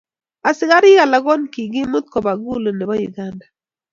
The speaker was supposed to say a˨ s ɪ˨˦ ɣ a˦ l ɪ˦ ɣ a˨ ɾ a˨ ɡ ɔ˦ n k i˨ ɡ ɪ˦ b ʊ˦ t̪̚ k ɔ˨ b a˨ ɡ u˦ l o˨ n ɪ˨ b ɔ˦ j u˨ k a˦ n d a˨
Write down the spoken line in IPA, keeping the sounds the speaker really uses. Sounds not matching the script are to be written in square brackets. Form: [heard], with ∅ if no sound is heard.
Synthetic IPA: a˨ s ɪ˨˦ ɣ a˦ [ɾ] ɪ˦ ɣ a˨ [l] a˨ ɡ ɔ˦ n k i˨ ɡ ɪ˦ [m] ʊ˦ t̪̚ k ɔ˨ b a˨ ɡ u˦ l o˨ n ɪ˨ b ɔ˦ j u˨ [ɡ] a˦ n d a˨